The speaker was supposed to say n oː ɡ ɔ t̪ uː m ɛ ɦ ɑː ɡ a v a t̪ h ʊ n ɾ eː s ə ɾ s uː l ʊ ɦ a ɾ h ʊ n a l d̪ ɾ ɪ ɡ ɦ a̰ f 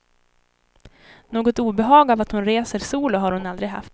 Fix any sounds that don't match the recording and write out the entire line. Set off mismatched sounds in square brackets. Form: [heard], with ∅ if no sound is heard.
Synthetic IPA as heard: n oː ɡ ɔ t̪ uː [b] ɛ ɦ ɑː ɡ a v a t̪ h ʊ n ɾ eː s ə ɾ s uː l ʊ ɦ a ɾ h ʊ n a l d̪ ɾ ɪ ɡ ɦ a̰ f